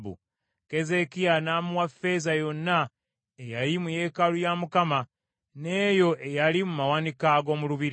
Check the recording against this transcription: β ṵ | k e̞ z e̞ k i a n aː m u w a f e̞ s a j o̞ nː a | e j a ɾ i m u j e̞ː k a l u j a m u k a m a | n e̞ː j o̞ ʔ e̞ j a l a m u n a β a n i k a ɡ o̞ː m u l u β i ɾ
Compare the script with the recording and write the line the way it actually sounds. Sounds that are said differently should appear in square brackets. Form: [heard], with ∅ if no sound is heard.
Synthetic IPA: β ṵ | k e̞ z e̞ k i a n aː m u w a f e̞ [z] a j o̞ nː a | e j a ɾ i m u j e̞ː k a l u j a m u k a m a | n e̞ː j o̞ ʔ e̞ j a l [i] m u [m] a [w] a n i k a ɡ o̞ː m u l u β i ɾ